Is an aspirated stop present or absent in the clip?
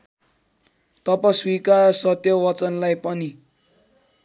absent